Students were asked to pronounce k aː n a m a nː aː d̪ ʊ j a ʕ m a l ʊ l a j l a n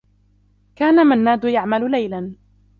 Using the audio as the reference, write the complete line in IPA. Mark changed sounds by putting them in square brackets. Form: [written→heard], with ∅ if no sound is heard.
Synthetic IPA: k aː n a m a nː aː d̪ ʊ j a ʕ m a l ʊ l a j l a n